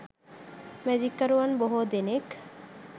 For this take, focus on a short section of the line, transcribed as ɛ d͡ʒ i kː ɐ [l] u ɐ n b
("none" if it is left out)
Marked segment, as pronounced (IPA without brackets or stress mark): ɾ